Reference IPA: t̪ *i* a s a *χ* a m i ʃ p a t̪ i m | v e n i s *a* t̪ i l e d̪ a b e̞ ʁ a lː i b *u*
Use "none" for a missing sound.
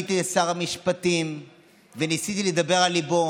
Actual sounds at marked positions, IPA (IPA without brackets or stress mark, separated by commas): i, ʁ, i, o